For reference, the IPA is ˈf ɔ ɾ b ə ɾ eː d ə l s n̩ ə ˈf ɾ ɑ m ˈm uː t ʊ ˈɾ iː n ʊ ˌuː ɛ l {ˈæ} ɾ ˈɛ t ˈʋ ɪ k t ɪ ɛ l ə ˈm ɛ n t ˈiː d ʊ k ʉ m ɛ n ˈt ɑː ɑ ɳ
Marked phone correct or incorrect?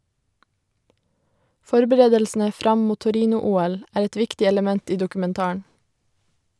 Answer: incorrect